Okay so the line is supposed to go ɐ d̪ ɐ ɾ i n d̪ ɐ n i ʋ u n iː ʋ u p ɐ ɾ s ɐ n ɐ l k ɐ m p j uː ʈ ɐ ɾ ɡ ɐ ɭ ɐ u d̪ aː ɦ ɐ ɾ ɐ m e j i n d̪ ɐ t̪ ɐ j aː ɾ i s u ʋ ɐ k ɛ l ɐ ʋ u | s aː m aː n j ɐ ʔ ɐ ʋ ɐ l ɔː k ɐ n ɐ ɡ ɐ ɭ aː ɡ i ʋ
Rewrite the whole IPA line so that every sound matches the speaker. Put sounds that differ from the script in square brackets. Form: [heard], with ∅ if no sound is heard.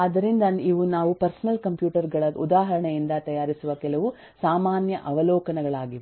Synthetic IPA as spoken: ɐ d̪ ɐ ɾ i n d̪ ɐ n i ʋ u n [aː] ʋ u p ɐ ɾ s ɐ n ɐ l k ɐ m p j uː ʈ ɐ ɾ ɡ ɐ ɭ ɐ u d̪ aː ɦ ɐ ɾ ɐ [ɳ] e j i n d̪ ɐ t̪ ɐ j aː ɾ i s u ʋ ɐ k ɛ l ɐ ʋ u | s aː m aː n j ɐ ʔ ɐ ʋ ɐ l ɔː k ɐ n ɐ ɡ ɐ ɭ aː ɡ i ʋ